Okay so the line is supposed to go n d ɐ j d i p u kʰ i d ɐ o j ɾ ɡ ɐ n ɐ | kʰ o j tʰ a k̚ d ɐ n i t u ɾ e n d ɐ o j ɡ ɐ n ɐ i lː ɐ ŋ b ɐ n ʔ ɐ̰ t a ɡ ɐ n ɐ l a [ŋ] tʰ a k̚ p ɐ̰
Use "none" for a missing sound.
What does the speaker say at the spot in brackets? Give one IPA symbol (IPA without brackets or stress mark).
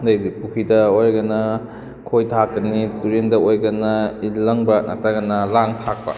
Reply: ŋ